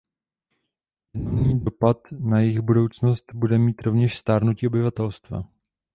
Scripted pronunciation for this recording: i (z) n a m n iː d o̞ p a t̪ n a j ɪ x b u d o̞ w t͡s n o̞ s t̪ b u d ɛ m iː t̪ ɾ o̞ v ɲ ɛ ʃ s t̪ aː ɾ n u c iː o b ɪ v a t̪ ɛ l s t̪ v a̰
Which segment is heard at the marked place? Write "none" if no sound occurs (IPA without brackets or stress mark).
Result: z